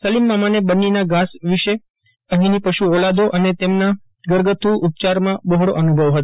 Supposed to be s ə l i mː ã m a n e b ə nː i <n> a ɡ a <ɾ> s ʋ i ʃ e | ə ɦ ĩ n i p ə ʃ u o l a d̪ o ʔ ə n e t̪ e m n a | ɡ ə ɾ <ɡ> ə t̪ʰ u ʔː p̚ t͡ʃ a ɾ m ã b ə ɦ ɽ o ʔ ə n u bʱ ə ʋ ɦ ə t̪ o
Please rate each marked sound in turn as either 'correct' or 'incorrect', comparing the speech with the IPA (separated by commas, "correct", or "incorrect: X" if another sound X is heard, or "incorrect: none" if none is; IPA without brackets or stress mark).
correct, incorrect: none, correct